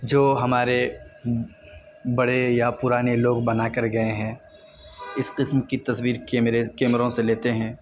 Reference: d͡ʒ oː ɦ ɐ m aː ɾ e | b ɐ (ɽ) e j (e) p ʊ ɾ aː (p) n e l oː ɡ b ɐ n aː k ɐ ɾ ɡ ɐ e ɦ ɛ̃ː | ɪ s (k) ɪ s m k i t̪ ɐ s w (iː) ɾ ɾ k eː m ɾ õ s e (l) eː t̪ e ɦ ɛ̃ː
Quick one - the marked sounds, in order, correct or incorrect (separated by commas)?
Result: correct, incorrect, incorrect, incorrect, correct, correct